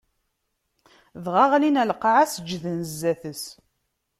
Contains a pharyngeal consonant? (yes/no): yes